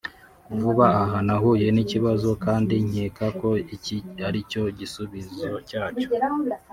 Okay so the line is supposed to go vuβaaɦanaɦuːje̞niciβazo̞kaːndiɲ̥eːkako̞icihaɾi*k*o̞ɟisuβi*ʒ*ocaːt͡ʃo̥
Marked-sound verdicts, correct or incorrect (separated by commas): incorrect, incorrect